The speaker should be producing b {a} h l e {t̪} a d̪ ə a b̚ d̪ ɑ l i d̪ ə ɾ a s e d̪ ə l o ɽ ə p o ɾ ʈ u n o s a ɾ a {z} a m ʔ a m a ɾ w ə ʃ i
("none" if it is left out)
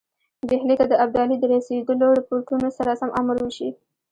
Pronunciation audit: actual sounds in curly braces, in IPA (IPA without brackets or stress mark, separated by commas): e, t̪, s